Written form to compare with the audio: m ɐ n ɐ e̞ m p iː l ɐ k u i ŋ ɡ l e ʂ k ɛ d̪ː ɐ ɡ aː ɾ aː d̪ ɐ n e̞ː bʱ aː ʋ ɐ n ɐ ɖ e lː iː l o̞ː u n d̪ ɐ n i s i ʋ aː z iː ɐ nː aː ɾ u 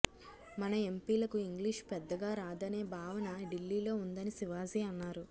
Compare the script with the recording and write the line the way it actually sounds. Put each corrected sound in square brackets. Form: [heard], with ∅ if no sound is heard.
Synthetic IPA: m ɐ n ɐ e̞ m p iː l ɐ k u i ŋ ɡ l [i] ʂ [p] ɛ d̪ː ɐ ɡ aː ɾ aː d̪ ɐ n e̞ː bʱ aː ʋ ɐ n ɐ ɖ [i] lː iː l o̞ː u n d̪ ɐ n i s i ʋ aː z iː ɐ nː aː ɾ u